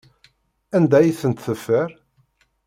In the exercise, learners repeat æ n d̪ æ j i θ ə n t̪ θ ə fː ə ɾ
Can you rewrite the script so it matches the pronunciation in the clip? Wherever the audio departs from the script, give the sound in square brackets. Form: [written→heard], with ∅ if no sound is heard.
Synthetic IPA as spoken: æ n d̪ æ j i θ ə n t̪ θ ə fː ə ɾ